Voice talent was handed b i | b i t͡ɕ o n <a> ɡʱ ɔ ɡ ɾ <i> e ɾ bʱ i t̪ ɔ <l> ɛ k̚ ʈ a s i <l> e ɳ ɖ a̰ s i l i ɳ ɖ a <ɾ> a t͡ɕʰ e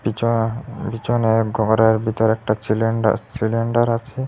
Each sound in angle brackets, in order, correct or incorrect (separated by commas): incorrect, incorrect, incorrect, correct, correct